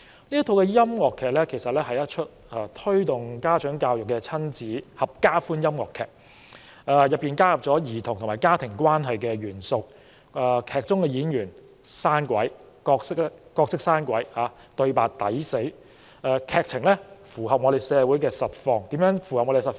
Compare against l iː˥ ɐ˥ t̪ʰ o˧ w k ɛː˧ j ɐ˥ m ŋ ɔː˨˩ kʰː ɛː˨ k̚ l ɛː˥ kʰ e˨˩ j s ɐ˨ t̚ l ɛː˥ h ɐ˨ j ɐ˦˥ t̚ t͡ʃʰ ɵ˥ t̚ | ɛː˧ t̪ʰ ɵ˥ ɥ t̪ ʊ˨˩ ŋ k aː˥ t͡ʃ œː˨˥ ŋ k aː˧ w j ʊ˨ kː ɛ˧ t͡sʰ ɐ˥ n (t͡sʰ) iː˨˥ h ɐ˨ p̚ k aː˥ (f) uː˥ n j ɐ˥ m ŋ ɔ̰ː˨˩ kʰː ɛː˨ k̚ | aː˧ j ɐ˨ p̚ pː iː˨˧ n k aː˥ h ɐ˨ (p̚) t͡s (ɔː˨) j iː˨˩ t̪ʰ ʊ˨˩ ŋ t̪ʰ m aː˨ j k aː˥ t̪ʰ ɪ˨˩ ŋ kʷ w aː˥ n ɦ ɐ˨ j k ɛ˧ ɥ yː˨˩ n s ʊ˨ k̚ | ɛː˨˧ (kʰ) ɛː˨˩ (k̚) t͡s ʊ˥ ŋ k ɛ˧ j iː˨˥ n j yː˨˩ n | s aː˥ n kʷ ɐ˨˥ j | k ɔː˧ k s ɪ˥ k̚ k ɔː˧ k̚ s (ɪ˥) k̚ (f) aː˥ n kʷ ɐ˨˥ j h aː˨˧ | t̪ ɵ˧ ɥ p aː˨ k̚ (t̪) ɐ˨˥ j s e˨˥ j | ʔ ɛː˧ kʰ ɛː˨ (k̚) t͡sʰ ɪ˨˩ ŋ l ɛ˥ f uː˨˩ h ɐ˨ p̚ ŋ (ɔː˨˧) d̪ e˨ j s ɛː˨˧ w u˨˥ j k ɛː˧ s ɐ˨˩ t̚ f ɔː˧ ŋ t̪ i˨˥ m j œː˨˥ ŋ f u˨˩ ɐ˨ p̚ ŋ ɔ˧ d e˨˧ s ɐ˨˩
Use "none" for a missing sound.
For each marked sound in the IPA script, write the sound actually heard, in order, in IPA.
t͡s, f, p̚, ɔː˨˥, kʰ, k̚, ɪ˥, s, t̪, k̚, ɔ˨˧

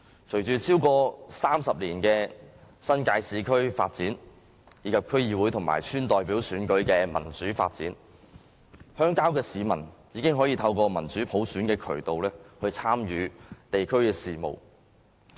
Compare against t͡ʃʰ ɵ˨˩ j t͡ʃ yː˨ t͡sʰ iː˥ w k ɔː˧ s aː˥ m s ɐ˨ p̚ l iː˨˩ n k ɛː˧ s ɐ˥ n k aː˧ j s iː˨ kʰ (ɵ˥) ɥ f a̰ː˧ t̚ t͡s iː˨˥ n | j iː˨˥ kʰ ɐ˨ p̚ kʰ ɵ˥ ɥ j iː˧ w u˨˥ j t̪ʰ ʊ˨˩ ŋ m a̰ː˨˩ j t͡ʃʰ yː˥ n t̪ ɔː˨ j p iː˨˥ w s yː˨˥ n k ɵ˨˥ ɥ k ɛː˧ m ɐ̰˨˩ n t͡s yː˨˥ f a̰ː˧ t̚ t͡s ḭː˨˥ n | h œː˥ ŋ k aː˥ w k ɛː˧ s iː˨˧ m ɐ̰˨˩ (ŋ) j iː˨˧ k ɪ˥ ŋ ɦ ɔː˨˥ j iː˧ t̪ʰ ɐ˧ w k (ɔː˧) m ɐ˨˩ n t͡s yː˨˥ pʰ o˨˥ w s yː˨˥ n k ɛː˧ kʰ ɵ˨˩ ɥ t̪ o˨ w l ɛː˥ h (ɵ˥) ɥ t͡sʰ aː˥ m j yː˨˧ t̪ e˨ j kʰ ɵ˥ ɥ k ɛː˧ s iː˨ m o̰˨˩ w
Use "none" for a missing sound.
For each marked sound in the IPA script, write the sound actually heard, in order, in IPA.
ɵ˥, n, ɔː˧, ɵ˧

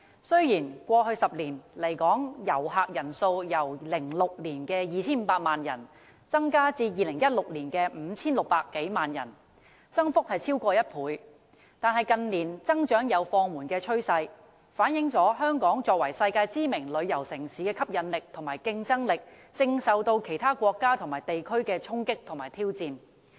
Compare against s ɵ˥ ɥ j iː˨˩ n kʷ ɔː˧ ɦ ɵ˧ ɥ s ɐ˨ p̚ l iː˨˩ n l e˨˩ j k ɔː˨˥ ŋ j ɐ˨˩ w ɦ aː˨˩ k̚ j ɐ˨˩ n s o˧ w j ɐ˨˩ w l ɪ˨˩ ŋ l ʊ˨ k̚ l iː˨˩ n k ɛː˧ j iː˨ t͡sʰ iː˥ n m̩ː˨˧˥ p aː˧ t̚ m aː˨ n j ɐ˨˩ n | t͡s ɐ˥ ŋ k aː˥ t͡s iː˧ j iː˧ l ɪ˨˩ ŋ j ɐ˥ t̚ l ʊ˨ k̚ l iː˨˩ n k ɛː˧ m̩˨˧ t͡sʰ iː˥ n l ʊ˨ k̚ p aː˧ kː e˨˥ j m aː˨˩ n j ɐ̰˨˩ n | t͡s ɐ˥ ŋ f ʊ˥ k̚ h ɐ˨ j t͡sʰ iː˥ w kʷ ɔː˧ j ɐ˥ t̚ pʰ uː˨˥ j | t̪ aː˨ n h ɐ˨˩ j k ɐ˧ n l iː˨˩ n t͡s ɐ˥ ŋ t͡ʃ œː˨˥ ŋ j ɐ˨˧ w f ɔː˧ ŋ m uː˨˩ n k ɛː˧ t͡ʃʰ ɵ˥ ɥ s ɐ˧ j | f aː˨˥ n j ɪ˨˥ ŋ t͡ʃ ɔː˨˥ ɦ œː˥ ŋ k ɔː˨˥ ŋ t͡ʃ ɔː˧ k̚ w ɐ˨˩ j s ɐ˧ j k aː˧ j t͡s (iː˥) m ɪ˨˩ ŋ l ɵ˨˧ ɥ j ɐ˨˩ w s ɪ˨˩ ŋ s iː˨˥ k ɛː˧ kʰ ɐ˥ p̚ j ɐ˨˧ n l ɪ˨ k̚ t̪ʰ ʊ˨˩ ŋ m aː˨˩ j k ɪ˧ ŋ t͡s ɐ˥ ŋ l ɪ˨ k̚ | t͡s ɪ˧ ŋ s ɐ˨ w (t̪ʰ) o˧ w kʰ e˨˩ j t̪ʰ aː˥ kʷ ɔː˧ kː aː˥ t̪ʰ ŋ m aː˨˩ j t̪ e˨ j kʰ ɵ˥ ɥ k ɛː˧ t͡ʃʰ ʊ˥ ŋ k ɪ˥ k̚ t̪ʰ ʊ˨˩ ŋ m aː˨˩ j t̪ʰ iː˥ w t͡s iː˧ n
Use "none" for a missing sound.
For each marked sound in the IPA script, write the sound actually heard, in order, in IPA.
iː˥, t̪

